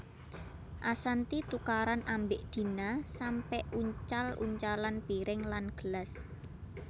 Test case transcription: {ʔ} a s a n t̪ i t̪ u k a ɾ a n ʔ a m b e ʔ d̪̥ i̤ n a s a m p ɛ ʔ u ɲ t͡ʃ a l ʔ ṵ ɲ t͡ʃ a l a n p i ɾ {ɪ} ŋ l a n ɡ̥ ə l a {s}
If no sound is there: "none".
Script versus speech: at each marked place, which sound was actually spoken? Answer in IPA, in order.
ʔ, ɪ, s

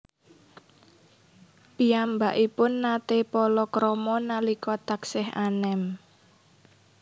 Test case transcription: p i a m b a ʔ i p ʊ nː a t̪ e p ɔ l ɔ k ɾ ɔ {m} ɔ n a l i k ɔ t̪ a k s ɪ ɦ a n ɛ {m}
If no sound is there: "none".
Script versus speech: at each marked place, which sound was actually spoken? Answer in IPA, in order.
m, m

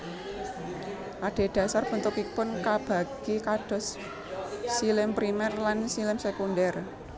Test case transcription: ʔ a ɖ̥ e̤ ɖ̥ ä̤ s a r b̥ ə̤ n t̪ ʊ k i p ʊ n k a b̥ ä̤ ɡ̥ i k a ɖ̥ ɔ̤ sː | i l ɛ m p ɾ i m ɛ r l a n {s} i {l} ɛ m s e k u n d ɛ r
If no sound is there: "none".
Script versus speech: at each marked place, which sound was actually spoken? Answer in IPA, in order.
s, l

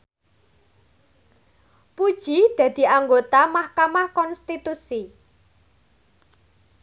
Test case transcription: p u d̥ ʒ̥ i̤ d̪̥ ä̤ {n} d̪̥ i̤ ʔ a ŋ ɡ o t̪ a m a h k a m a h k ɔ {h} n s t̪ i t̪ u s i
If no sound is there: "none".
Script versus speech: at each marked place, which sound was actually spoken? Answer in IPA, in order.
none, none

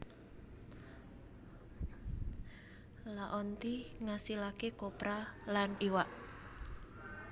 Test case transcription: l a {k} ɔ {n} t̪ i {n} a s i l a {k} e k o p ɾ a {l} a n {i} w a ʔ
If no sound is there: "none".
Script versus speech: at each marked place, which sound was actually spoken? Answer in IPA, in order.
ʔ, n, ŋ, k, l, i

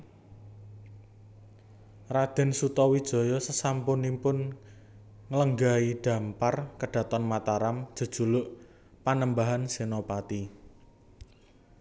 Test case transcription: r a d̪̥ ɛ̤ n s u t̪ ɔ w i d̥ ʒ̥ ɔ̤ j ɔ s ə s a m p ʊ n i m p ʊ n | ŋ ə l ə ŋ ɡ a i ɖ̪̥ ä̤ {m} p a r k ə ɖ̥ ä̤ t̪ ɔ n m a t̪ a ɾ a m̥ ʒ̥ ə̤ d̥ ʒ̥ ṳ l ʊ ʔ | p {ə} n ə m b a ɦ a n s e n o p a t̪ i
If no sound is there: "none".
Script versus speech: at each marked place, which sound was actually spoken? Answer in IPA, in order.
m, a

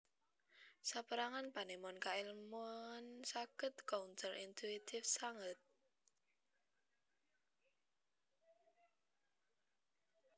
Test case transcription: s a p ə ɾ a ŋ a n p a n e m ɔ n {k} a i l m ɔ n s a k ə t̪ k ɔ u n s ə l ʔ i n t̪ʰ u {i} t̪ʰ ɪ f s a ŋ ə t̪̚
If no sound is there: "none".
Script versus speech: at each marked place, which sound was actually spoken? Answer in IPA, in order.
k, i

